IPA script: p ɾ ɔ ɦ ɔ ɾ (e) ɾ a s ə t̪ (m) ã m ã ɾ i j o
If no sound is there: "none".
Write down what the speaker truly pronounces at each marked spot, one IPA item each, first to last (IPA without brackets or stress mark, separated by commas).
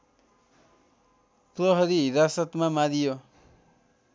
i, m